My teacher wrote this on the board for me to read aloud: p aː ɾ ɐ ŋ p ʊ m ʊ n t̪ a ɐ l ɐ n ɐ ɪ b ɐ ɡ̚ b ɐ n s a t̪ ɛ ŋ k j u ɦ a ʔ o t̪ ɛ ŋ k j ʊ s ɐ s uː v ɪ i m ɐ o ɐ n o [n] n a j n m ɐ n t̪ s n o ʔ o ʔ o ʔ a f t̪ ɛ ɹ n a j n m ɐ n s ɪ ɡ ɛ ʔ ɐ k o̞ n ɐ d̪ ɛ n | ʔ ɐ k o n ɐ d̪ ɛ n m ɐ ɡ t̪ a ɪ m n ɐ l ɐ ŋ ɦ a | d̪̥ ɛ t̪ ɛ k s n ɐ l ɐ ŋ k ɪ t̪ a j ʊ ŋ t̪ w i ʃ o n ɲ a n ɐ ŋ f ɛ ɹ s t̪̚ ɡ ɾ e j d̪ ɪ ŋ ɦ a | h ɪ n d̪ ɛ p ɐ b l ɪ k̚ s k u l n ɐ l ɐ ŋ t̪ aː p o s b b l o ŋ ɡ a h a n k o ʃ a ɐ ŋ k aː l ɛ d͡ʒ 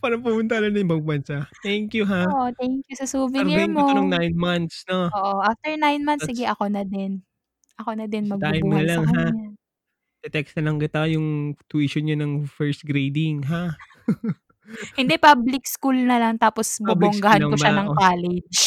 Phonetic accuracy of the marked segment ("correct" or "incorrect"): incorrect